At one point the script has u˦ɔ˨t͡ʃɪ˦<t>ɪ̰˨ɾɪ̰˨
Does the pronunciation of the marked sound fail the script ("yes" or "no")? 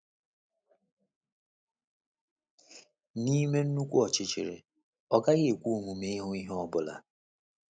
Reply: yes